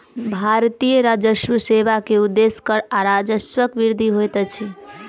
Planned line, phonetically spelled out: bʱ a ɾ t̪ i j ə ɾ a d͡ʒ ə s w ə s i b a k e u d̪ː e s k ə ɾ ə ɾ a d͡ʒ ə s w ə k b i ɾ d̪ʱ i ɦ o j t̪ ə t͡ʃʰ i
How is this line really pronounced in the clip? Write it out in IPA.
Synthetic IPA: bʱ a ɾ t̪ i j ə ɾ a d͡ʒ ə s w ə s e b a k e u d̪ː e s k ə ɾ a ɾ a d͡ʒ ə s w ə k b i ɾ d̪ʱ i ɦ o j t̪ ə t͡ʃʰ i